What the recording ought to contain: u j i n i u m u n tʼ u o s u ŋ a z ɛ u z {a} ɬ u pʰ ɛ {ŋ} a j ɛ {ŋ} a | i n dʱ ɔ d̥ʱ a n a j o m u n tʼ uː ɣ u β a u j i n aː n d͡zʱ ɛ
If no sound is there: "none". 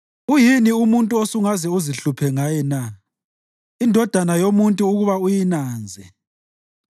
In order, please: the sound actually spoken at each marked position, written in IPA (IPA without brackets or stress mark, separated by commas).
i, ŋ, n